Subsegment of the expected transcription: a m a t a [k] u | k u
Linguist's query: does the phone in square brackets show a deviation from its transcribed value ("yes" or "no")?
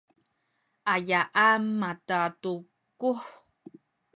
yes